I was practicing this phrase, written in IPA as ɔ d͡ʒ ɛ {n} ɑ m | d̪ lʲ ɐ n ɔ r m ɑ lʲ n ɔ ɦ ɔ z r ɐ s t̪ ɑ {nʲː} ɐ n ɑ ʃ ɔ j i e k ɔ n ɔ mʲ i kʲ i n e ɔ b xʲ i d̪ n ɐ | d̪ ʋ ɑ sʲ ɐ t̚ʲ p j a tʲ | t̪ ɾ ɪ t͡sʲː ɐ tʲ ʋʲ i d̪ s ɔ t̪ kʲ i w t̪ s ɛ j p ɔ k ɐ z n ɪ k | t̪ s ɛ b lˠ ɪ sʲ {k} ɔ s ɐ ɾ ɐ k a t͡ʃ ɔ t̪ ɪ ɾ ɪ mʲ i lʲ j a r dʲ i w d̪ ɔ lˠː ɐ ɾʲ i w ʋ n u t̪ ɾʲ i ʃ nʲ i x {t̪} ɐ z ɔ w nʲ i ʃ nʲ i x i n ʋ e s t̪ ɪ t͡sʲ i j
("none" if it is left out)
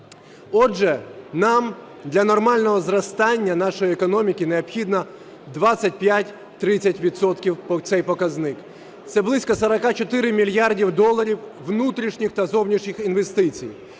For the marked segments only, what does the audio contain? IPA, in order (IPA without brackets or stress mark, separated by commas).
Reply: n, nʲː, k, t̪